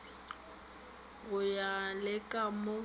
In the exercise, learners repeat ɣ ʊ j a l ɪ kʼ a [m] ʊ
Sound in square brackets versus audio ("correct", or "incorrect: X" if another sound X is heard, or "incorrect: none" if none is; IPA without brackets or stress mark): correct